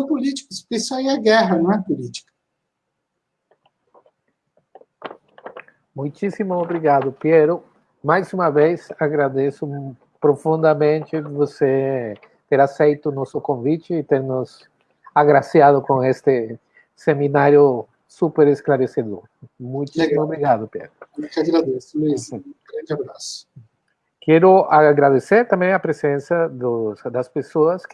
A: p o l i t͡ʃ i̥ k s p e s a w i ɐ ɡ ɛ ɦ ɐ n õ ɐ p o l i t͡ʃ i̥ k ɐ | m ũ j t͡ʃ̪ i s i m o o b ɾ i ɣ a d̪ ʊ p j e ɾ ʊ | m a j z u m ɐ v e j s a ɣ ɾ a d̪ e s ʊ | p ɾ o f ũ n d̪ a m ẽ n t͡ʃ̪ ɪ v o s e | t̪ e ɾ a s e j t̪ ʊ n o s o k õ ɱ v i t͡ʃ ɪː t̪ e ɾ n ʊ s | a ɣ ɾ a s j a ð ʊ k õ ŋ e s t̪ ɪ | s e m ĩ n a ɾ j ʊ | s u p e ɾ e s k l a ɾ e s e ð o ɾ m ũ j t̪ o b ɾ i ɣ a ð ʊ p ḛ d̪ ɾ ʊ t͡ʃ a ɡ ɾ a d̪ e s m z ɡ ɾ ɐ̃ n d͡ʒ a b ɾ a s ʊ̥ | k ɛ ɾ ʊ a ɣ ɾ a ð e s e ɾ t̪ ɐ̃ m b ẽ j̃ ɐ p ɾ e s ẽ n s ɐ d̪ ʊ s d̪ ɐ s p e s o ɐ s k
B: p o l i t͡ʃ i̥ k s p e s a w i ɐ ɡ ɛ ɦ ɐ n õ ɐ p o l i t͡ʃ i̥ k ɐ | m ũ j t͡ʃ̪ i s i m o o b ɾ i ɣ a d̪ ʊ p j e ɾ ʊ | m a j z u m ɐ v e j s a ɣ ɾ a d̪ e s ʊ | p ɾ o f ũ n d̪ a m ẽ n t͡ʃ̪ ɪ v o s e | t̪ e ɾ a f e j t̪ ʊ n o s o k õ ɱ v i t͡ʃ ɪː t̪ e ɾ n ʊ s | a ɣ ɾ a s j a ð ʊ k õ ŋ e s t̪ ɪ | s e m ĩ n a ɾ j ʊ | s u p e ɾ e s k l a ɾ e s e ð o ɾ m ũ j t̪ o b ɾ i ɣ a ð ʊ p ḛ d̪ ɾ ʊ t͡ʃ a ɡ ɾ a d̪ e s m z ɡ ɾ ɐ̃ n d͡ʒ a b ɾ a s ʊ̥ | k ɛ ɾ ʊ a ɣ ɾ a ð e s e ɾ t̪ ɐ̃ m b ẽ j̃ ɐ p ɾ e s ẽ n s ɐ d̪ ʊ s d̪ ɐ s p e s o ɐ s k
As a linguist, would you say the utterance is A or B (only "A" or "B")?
A